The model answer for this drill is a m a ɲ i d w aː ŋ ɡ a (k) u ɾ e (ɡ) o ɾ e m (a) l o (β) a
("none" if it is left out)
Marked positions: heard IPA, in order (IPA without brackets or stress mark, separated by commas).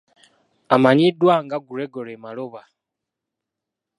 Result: ɡ, ɡ, a, β